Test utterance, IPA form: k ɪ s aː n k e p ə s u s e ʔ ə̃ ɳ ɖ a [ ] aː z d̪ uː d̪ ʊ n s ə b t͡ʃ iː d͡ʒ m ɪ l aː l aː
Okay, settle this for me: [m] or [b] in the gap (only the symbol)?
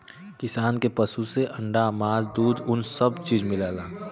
m